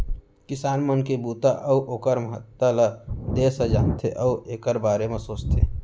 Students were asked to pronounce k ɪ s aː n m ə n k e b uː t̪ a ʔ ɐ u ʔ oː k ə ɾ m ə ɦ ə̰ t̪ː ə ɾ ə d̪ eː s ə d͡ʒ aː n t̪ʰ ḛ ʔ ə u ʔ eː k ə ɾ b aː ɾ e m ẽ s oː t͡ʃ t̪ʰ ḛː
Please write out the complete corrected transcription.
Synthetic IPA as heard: k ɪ s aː n m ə n k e b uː t̪ a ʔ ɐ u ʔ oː k ə ɾ m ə ɦ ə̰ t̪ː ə l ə d̪ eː s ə d͡ʒ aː n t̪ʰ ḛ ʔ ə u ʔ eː k ə ɾ b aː ɾ e m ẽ s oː t͡ʃ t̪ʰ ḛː

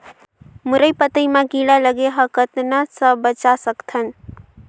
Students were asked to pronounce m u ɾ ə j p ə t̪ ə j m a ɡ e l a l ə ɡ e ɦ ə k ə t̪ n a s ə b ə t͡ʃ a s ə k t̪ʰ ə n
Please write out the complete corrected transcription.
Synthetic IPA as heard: m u ɾ ə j p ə t̪ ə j m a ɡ i l a l ə ɡ e ɦ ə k ə t̪ n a s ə b ə t͡ʃ a s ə k t̪ʰ ə n

